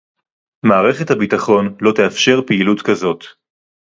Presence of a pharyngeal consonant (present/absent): absent